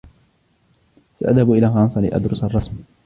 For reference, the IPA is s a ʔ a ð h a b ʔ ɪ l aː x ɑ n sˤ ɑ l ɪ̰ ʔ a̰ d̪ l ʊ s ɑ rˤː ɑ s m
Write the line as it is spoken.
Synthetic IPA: s a ʔ a ð h a b ʔ ɪ l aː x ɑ n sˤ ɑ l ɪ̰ ʔ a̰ d̪ ɾ ʊ s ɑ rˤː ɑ s m